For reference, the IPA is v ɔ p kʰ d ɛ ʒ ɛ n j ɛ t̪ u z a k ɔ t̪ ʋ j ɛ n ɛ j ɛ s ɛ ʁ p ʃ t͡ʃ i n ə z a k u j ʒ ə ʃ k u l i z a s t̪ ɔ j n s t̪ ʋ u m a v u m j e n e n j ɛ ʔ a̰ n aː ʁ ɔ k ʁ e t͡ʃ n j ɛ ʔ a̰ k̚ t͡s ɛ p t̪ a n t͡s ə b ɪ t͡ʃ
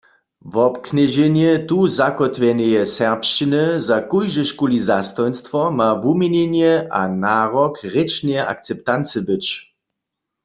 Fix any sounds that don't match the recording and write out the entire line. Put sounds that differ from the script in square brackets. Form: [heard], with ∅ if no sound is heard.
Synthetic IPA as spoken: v ɔ p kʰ [n] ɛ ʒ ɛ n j ɛ t̪ u z a k ɔ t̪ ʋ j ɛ n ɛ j ɛ s ɛ ʁ p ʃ t͡ʃ i n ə z a k u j ʒ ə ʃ k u l i z a s t̪ ɔ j n s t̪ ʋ [ɔ] m a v u m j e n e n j ɛ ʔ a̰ n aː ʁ ɔ k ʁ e t͡ʃ n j ɛ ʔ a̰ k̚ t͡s ɛ p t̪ a n t͡s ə b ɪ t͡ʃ